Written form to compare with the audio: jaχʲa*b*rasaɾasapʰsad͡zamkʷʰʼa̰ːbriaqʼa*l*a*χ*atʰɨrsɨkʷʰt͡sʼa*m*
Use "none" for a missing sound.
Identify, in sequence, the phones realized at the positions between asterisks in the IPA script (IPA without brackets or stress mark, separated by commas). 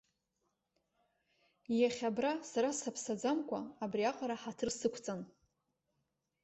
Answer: b, ɾ, ħ, n